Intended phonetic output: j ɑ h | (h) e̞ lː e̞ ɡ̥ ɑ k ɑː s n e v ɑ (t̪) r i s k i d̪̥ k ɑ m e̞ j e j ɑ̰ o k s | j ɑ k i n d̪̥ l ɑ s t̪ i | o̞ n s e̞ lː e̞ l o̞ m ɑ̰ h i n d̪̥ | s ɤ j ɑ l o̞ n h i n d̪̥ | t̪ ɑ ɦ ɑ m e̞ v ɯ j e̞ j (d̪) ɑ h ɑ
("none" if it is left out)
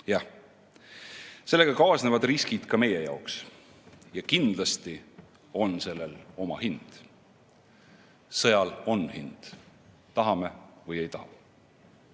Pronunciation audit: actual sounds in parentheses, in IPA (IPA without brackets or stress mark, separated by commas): s, d̪, t̪